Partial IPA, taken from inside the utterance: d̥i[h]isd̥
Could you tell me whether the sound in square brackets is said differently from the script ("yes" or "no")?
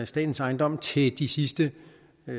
yes